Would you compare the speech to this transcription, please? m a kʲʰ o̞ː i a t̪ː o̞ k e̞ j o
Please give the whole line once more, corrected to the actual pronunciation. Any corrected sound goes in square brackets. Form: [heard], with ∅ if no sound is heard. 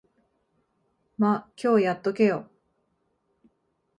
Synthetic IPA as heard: m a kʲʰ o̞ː [j] a t̪ː o̞ k e̞ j o